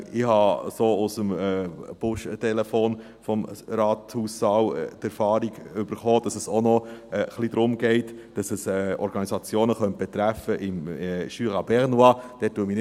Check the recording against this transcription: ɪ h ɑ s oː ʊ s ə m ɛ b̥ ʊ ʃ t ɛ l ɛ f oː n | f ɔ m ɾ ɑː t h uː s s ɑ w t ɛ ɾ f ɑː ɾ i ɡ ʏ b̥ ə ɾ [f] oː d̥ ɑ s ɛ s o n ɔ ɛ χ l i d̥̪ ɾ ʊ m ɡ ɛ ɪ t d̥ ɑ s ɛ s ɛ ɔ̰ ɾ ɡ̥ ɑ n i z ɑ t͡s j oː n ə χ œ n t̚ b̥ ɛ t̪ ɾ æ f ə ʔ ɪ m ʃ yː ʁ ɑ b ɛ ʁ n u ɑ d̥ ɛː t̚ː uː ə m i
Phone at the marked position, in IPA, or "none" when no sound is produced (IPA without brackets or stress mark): χ